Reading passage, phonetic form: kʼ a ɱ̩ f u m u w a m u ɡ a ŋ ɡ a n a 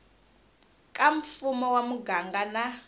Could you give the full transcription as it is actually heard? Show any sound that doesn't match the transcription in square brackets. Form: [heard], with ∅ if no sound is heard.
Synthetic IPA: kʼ a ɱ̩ f u m [ɔ] w a m u ɡ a ŋ ɡ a n a